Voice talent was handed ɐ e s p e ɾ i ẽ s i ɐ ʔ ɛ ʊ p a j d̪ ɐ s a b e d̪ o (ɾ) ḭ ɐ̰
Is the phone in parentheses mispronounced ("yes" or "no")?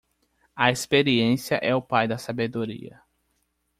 no